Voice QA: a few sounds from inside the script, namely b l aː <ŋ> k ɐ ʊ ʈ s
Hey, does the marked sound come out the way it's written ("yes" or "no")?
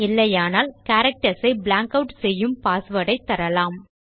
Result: yes